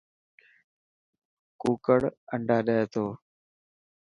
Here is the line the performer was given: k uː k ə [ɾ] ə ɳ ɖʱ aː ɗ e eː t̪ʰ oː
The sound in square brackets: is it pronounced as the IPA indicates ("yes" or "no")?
no